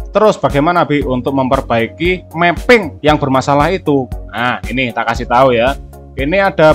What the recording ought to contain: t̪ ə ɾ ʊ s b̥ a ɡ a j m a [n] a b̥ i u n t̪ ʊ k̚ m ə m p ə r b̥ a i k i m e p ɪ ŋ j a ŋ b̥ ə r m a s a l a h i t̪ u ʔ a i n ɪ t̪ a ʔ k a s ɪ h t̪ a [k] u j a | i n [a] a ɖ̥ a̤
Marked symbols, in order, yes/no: yes, no, no

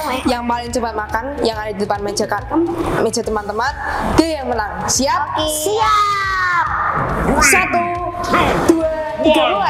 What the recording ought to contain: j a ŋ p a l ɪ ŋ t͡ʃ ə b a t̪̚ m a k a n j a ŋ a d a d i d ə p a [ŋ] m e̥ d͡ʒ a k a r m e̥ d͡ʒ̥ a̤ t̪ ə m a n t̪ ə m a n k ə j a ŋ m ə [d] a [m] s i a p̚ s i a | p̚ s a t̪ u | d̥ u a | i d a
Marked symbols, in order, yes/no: no, no, no

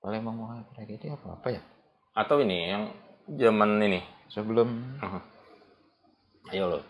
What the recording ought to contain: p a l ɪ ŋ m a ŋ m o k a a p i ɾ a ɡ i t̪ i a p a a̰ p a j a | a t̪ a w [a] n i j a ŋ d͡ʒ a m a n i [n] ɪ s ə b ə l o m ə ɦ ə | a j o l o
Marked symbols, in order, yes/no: no, yes

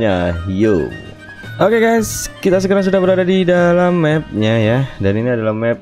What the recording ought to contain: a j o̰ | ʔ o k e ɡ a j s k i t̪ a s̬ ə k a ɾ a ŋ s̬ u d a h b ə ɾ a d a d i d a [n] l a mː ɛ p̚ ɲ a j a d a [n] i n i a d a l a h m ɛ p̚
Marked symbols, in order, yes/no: no, yes

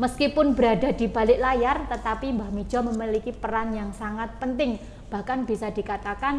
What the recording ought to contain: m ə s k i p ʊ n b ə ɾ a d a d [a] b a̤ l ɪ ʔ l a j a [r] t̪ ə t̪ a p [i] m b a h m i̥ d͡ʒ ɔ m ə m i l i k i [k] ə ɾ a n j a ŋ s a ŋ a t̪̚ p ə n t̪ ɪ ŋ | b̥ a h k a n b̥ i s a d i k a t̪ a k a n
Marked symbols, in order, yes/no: no, yes, yes, no

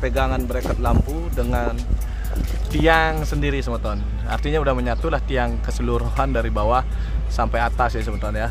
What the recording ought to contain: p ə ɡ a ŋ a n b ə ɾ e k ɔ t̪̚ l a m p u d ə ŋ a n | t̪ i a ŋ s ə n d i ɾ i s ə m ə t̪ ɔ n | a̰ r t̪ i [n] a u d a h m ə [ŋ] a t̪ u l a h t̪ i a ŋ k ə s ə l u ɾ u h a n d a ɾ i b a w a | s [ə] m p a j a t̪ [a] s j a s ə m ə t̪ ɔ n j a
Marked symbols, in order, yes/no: no, no, no, yes

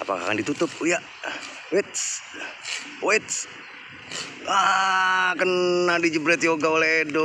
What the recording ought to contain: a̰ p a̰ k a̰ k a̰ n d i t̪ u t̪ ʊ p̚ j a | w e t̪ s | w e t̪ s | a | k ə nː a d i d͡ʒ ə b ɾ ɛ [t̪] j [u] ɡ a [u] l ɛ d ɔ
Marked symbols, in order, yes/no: yes, no, no

